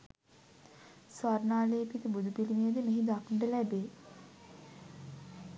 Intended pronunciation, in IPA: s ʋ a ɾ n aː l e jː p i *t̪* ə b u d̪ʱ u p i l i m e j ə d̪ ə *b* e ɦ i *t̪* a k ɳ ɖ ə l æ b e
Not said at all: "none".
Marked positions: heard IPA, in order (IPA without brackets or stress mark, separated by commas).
t̪, m, d̪